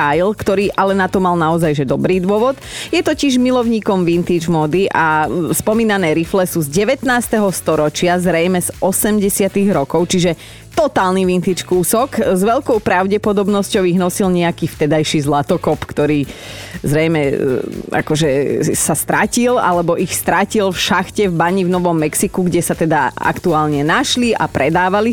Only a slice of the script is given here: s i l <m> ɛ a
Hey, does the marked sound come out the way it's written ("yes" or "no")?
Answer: no